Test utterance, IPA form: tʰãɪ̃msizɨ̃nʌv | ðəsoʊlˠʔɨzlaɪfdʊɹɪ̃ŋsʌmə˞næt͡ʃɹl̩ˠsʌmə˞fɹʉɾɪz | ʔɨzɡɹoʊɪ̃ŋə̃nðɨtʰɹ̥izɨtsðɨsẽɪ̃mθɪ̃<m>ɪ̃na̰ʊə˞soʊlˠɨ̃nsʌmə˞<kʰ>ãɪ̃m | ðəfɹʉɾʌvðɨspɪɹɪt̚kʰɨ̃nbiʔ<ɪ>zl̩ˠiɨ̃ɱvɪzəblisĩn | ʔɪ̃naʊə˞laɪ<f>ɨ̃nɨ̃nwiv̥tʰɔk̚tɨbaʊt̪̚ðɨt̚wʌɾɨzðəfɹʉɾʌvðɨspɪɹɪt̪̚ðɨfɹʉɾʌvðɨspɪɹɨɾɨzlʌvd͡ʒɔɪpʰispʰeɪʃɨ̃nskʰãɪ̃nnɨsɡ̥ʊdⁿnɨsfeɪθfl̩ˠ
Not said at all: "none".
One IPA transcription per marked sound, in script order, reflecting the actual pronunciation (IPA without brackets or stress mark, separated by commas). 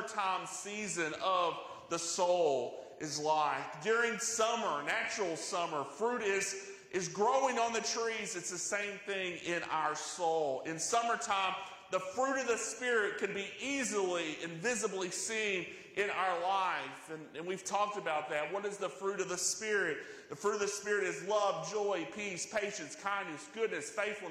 ŋ, tʰ, i, f